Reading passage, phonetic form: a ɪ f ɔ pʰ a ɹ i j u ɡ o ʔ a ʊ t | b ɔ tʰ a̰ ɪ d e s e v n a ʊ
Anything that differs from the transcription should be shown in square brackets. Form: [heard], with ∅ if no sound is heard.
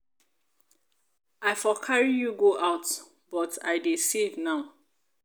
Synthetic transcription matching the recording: a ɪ f ɔ [kʰ] a ɹ i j u ɡ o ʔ a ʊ t | b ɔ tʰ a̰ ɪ d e s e v n a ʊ